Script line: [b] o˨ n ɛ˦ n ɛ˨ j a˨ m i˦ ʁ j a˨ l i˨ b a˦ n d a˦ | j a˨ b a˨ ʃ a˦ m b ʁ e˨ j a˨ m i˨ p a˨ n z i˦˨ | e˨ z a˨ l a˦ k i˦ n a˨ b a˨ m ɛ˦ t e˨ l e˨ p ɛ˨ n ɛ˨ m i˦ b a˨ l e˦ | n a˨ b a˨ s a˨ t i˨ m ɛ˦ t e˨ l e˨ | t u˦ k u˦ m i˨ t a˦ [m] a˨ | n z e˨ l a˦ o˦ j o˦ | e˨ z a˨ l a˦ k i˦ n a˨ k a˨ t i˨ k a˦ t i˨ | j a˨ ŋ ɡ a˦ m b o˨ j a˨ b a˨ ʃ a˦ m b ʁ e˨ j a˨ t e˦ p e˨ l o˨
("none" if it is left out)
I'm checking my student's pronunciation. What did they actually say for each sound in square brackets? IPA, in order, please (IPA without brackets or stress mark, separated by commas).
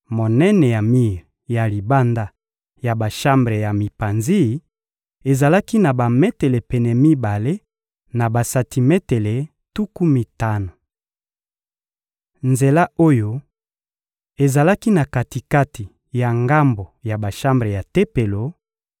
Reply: m, n